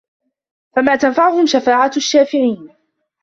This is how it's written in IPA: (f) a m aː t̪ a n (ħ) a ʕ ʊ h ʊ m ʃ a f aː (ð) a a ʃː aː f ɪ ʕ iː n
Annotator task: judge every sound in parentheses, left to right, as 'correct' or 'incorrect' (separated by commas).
correct, incorrect, incorrect